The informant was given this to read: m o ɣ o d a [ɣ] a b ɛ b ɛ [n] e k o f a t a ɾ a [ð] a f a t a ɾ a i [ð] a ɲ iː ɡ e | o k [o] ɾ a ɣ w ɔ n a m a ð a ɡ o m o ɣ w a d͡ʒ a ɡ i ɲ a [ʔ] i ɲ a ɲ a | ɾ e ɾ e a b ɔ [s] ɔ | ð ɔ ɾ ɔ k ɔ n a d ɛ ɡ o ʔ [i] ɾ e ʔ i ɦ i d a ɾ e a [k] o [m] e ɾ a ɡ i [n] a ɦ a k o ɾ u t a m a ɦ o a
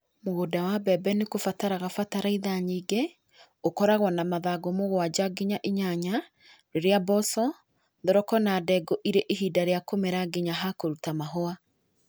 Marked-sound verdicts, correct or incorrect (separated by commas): incorrect, correct, incorrect, correct, incorrect, correct, correct, correct, correct, correct, incorrect